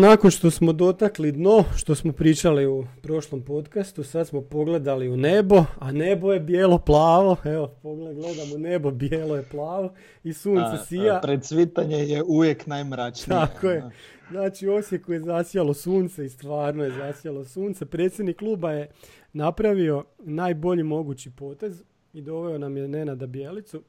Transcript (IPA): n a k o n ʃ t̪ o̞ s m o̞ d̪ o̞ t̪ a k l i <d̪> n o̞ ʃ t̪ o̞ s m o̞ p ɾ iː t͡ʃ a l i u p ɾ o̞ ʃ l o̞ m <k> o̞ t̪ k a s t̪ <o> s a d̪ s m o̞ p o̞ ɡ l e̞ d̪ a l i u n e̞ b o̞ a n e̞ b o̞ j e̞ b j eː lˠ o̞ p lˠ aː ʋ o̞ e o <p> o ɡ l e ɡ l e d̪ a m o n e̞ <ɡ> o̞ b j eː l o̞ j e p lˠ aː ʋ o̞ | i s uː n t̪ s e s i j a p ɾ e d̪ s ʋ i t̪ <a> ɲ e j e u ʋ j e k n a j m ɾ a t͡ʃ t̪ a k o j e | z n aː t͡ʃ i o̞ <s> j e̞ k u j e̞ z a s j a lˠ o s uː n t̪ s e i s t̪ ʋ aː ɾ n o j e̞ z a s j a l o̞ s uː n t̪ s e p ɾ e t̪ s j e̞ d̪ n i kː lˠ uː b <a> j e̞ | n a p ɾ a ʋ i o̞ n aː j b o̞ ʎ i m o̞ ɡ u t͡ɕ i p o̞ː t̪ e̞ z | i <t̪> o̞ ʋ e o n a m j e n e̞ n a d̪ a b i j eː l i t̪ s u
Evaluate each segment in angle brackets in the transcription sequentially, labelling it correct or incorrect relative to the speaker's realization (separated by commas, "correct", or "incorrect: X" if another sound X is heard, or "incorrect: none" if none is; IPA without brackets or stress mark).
correct, incorrect: p, incorrect: u, correct, incorrect: b, correct, correct, correct, incorrect: d̪